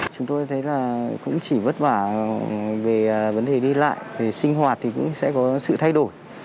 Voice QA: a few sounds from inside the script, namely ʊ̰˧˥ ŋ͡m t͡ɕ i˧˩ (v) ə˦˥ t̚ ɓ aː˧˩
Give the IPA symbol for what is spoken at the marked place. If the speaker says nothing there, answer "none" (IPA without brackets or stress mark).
v